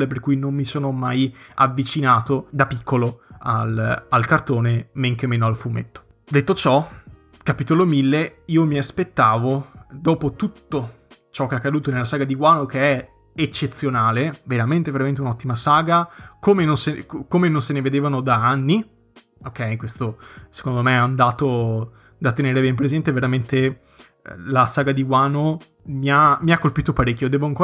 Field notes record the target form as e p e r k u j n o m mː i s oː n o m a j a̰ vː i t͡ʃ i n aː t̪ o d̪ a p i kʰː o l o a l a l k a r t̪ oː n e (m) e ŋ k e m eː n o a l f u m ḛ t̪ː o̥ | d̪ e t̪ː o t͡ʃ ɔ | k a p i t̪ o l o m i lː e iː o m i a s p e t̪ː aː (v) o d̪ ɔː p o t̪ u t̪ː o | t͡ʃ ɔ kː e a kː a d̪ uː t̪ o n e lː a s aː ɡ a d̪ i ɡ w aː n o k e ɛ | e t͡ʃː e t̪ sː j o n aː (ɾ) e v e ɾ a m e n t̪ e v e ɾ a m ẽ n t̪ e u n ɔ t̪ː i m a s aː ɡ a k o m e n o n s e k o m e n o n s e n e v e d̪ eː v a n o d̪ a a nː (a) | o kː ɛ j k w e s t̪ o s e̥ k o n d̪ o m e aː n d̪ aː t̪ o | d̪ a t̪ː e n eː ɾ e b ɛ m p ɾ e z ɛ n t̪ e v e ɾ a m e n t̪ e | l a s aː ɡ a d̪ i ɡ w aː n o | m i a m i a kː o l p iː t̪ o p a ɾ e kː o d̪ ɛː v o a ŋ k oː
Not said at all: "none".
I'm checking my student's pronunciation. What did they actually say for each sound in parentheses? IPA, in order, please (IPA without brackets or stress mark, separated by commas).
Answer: m, v, l, i